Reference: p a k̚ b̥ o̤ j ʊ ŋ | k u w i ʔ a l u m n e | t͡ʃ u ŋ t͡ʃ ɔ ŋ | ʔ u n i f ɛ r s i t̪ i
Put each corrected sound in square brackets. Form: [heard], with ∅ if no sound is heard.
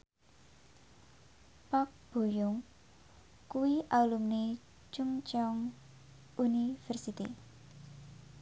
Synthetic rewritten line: p a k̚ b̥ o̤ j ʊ ŋ | k u w i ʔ a l u m n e | t͡ʃ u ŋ t͡ʃ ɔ ŋ | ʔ u n i f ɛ r s i t̪ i